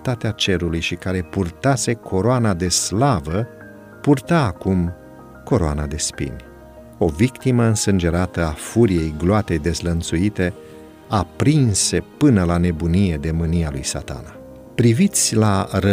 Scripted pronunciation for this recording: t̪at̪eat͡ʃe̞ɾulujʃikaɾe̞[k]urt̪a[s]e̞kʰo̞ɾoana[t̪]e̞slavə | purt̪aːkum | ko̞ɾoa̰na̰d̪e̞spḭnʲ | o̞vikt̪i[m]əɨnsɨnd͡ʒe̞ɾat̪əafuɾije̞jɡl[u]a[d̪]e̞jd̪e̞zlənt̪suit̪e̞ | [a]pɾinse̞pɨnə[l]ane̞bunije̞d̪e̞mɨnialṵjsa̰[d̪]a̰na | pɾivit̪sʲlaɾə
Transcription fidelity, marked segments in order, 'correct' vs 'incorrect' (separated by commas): incorrect, correct, incorrect, correct, incorrect, incorrect, correct, correct, incorrect